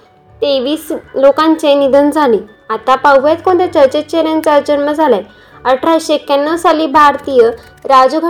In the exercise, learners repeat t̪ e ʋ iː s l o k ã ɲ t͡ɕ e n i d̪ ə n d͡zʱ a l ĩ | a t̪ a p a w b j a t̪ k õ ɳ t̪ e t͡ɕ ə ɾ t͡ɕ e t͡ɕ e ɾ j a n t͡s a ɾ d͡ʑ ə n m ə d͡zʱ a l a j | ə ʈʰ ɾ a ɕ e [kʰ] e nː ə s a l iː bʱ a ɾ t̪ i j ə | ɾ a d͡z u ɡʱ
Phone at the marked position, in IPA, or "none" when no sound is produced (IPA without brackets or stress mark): k